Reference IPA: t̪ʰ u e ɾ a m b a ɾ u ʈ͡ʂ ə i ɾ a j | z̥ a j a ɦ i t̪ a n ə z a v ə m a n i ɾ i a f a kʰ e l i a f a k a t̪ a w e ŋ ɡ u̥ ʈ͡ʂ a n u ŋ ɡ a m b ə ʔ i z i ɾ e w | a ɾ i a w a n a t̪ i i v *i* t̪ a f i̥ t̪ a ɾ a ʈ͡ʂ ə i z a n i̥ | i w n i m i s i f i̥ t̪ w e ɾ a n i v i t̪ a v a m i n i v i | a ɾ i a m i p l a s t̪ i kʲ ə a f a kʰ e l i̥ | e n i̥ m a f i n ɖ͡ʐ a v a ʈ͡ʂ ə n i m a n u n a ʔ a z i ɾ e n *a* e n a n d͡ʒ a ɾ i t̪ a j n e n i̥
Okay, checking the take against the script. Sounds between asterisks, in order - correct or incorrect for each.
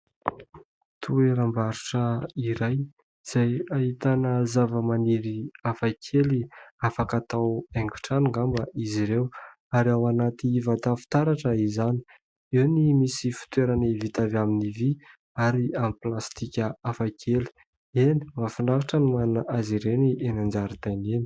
incorrect: a, incorrect: i

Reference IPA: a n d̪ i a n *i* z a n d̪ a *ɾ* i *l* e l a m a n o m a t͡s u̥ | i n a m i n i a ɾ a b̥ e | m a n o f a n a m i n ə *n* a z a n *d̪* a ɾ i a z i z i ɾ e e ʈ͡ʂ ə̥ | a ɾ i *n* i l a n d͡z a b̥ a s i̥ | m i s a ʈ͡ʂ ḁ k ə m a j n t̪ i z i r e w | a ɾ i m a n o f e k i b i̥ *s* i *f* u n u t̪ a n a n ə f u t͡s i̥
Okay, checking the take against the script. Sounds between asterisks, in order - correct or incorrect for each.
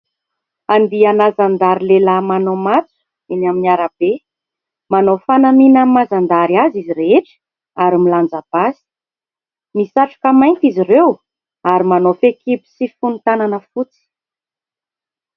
incorrect: a, correct, correct, incorrect: m, correct, incorrect: m, correct, correct

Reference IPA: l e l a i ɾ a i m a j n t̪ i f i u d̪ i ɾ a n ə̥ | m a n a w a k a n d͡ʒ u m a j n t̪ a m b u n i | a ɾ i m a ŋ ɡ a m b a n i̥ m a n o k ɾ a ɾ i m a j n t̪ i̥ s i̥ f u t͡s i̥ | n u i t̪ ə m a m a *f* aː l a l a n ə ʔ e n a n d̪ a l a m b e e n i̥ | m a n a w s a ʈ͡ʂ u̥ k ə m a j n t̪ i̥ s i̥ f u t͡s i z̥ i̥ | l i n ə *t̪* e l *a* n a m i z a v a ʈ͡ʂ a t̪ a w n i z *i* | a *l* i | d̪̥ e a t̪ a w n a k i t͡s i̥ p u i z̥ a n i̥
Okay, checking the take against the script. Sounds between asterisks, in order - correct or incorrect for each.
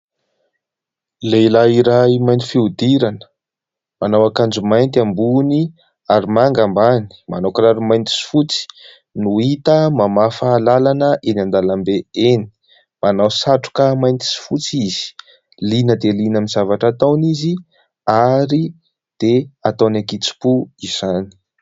correct, incorrect: d̪, incorrect: i, correct, incorrect: ɾ

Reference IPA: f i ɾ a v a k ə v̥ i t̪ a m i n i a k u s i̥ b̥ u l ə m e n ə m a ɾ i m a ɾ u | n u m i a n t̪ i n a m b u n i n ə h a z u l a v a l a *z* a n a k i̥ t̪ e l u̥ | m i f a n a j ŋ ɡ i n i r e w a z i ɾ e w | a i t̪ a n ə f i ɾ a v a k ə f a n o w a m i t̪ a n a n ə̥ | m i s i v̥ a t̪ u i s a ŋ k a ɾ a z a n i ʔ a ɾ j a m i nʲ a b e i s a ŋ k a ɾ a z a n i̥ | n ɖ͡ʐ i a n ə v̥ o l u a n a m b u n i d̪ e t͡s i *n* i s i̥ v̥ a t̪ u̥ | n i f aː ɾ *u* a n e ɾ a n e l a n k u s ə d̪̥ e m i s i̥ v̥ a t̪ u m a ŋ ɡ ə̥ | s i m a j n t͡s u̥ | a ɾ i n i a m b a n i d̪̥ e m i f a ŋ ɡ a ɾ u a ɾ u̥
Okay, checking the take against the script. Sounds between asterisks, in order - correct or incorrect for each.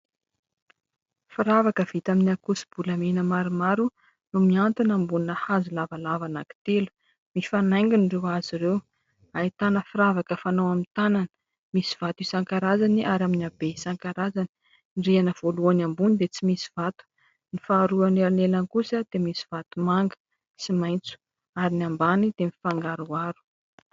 incorrect: v, incorrect: m, correct

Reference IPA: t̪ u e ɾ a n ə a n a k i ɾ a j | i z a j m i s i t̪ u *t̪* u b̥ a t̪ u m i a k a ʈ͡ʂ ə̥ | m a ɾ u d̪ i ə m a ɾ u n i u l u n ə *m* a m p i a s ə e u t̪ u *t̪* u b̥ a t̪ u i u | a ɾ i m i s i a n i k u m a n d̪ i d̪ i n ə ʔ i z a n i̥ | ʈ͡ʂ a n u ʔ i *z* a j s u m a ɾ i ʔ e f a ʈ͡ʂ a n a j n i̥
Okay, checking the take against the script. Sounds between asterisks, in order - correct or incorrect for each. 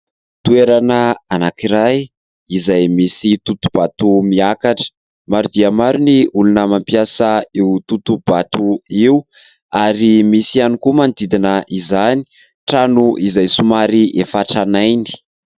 correct, correct, correct, correct

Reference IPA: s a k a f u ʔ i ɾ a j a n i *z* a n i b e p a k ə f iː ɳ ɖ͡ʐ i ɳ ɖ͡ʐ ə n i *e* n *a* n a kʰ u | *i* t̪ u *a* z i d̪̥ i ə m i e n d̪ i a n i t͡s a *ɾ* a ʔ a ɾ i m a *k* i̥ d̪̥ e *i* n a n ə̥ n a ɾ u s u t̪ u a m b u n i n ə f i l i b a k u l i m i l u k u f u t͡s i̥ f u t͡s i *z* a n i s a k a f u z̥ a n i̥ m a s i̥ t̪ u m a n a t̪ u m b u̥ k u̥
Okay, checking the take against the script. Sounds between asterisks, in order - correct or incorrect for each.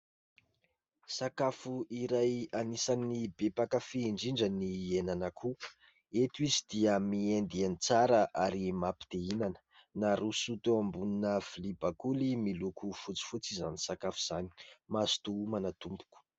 incorrect: s, correct, correct, incorrect: e, incorrect: i, correct, incorrect: p, correct, correct

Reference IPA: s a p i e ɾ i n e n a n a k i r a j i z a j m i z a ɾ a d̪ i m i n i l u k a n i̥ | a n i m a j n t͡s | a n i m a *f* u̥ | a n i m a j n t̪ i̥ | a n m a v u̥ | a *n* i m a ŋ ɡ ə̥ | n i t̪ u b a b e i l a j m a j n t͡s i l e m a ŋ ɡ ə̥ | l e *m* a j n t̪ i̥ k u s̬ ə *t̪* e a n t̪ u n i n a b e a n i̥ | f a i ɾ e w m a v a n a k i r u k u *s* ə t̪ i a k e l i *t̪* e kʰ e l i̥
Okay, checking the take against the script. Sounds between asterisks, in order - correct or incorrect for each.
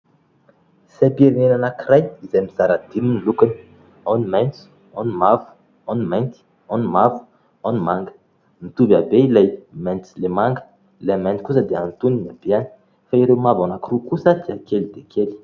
incorrect: v, correct, correct, incorrect: d̪, correct, incorrect: d̪

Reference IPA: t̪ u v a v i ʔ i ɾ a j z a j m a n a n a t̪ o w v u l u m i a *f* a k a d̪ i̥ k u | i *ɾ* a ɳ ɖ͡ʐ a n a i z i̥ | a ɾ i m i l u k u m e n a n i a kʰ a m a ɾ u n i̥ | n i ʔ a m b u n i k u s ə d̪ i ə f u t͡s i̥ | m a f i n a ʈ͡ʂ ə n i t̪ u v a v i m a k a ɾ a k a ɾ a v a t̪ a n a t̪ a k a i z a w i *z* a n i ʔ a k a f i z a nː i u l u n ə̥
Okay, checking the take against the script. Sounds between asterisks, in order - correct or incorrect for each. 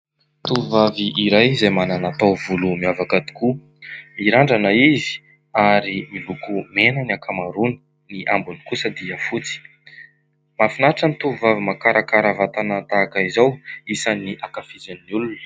incorrect: v, correct, incorrect: s

